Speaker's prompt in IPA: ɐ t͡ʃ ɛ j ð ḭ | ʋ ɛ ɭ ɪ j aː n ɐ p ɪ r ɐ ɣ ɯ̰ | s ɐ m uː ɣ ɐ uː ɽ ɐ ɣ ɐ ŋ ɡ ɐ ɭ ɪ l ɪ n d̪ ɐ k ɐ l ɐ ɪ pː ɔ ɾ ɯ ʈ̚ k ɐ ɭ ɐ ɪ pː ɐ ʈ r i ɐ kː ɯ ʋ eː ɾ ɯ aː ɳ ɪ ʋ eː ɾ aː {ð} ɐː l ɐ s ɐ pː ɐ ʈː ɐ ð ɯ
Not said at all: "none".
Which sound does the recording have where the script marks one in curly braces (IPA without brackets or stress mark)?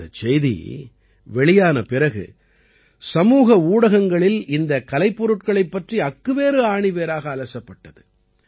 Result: ɣ